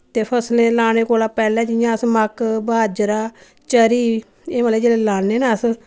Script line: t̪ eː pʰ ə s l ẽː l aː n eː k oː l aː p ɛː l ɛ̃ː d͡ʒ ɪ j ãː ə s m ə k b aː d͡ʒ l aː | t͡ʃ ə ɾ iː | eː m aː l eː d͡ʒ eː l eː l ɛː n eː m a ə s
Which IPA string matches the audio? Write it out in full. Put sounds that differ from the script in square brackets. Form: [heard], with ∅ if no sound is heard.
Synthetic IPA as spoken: t̪ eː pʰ ə s l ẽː l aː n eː k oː l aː p ɛː l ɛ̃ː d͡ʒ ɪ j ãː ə s m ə k b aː d͡ʒ [ɾ] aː | t͡ʃ ə ɾ iː | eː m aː l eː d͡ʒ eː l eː l [aː] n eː [n] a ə s